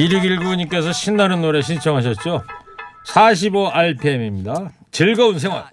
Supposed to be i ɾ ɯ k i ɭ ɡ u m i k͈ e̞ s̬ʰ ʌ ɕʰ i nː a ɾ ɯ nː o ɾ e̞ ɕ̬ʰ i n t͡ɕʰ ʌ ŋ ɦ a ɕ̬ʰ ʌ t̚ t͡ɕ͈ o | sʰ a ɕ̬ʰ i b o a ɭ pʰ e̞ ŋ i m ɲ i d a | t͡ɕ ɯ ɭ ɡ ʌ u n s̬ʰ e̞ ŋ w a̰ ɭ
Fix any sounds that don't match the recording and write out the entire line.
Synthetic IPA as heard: i ɾ ɯ ɡ i ɭ ɡ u ɲ i k͈ e̞ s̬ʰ ʌ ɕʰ i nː a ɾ ɯ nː o ɾ e̞ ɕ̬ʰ i n t͡ɕʰ ʌ ŋ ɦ a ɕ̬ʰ ʌ t̚ t͡ɕ͈ o | sʰ a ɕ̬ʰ i b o a ɭ pʰ e̞ m i m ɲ i d a | t͡ɕ ɯ ɭ ɡ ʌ u n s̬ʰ e̞ ŋ w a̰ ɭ